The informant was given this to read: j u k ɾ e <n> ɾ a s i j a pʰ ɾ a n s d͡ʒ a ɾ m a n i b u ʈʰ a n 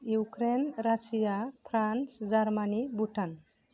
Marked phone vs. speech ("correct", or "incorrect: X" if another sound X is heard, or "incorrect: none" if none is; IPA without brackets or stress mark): correct